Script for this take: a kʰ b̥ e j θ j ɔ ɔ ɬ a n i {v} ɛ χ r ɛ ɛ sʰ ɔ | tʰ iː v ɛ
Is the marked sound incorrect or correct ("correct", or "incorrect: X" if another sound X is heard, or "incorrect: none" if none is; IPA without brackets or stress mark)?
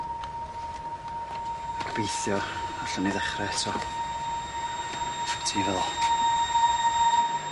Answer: incorrect: ð